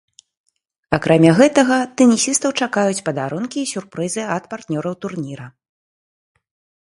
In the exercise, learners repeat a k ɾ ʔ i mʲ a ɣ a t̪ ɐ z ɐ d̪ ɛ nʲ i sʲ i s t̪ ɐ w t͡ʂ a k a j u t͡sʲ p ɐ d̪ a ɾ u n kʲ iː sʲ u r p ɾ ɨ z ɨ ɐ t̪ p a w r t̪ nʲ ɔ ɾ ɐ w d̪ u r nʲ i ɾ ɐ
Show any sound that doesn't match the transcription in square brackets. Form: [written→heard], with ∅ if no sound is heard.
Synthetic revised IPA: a k ɾ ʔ [i→a] mʲ a ɣ [a→ɛ] t̪ ɐ [z→ɣ] ɐ [d̪→t̪] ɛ nʲ i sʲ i s t̪ ɐ w t͡ʂ a k a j u t͡sʲ p ɐ d̪ a ɾ u n kʲ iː sʲ u r p ɾ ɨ z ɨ ɐ t̪ p a [w→∅] r t̪ nʲ ɔ ɾ ɐ w [d̪→t̪] u r nʲ i ɾ ɐ